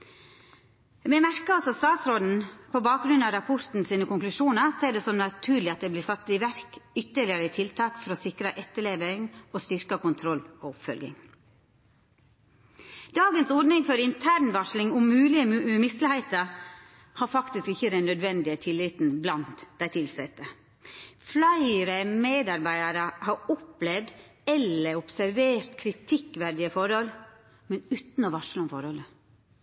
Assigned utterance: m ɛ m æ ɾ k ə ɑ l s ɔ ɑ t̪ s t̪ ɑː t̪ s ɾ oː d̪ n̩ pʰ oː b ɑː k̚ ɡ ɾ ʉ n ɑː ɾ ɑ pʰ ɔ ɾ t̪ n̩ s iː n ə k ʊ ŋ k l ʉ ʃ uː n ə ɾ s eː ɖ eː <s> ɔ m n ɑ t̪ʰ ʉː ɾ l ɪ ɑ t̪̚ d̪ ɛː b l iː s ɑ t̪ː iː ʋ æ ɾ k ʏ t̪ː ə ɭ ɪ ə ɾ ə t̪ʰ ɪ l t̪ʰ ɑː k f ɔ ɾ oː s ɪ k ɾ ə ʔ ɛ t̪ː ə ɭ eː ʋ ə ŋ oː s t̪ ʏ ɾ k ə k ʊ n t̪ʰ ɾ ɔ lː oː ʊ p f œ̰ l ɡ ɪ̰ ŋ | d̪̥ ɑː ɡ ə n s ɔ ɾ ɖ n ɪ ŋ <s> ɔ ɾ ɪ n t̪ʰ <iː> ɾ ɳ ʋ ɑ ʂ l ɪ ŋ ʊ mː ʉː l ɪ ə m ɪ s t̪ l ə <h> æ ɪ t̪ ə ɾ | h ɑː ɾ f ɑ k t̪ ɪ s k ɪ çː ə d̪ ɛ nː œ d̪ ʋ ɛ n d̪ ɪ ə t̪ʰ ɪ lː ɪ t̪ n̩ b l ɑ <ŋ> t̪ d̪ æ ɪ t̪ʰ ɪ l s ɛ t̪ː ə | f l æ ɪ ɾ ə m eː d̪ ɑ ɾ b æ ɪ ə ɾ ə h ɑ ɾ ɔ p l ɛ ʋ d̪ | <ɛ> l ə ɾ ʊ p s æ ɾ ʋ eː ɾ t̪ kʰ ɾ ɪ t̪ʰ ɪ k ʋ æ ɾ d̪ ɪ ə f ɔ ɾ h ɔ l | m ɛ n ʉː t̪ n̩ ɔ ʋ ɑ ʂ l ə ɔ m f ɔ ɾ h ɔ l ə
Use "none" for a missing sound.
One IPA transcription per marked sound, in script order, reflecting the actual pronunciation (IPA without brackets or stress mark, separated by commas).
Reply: s, f, æː, h, n, ɛ